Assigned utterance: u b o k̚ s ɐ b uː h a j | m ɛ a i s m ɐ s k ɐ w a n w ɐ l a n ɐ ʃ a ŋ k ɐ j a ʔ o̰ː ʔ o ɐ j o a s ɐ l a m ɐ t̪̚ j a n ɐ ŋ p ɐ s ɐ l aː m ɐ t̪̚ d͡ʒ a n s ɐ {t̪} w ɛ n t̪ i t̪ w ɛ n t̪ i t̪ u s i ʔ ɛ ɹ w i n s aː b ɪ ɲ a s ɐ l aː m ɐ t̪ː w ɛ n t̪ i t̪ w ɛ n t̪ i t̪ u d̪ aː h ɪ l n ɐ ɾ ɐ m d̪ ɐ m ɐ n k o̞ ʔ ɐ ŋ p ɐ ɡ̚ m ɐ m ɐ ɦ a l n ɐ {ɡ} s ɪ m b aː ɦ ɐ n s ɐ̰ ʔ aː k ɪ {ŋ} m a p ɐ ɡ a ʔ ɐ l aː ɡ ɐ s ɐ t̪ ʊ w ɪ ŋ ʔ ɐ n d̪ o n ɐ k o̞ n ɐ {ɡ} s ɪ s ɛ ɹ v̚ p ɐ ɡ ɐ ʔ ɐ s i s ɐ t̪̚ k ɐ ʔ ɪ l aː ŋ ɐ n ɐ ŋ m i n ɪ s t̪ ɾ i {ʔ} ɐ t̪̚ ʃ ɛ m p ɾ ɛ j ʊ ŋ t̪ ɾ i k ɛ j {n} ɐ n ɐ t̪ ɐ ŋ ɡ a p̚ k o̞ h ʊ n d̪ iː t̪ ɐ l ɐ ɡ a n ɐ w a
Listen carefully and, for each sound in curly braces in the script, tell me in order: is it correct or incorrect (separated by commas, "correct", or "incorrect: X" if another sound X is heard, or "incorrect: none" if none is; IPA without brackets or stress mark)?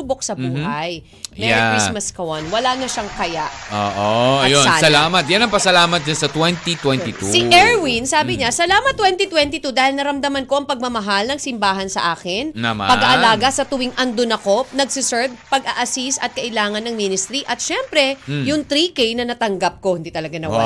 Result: correct, incorrect: ŋ, incorrect: n, correct, correct, correct